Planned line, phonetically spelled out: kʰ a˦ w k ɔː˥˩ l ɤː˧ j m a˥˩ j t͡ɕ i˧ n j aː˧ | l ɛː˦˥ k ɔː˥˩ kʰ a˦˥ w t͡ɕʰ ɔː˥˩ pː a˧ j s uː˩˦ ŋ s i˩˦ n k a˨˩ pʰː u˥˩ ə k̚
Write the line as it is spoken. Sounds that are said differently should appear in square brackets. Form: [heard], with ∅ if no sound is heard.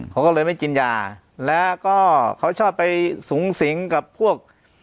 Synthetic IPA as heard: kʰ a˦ w k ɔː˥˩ l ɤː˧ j m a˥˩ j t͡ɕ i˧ n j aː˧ | l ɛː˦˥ k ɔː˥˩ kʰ a˦˥ w t͡ɕʰ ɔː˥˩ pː a˧ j s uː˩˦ ŋ s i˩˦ [ŋ] k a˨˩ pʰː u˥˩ ə k̚